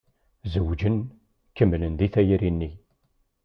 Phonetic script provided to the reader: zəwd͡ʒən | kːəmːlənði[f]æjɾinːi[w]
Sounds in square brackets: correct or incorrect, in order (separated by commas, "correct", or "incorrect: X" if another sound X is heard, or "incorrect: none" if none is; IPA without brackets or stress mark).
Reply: incorrect: θ, incorrect: none